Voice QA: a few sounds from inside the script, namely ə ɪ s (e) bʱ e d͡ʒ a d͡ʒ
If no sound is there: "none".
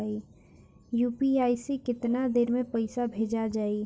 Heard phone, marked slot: a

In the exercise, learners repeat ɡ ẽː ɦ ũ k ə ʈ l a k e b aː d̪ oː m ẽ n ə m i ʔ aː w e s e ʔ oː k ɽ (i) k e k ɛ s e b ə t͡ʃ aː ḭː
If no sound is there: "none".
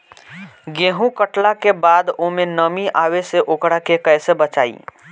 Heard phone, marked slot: a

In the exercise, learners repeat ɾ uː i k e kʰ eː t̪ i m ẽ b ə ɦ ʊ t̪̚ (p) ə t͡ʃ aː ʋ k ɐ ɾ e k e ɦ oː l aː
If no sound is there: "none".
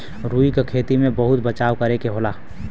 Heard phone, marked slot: b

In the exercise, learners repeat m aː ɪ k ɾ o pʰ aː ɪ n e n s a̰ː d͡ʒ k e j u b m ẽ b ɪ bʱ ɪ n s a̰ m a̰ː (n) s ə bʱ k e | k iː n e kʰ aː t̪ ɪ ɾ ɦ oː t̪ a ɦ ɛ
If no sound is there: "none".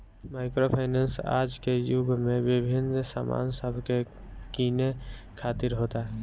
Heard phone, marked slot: n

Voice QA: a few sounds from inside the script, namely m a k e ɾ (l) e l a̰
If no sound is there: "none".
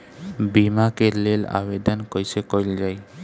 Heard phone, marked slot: l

